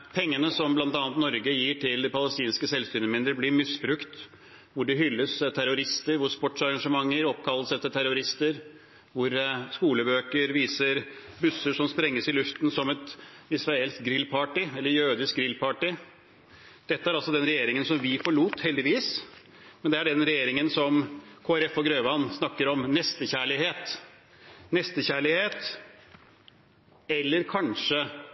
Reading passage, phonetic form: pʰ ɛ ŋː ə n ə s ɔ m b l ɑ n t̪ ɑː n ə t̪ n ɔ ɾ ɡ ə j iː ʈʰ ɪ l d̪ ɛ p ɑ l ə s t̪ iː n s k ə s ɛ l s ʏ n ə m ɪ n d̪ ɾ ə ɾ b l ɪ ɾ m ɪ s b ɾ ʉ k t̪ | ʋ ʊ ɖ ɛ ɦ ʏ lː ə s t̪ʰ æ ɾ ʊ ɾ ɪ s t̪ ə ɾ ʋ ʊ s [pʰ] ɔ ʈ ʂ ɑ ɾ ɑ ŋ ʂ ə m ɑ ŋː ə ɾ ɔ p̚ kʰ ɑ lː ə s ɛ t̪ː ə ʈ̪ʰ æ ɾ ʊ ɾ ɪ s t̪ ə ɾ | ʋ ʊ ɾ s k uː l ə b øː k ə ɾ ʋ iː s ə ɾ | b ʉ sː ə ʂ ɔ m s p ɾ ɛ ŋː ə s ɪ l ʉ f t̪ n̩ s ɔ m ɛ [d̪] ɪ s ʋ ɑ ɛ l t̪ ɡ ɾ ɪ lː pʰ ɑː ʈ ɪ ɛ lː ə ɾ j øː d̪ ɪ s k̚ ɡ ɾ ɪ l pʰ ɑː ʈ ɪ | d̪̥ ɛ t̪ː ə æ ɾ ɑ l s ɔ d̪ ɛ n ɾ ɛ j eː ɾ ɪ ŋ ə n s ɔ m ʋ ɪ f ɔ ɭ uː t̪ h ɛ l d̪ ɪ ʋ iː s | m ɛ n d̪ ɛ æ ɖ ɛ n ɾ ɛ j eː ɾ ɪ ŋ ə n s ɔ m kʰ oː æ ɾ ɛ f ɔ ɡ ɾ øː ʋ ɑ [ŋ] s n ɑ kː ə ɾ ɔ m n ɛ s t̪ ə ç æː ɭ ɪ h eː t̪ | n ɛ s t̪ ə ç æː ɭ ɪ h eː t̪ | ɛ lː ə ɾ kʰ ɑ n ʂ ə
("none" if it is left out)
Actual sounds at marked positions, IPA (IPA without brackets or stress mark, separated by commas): p, t̪, n